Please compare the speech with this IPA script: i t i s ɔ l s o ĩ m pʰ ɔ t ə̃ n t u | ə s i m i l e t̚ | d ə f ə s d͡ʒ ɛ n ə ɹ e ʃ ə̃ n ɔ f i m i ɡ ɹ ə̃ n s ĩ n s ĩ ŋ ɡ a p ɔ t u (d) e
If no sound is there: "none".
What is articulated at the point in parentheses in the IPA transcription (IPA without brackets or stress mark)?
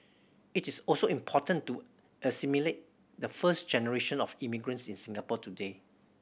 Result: d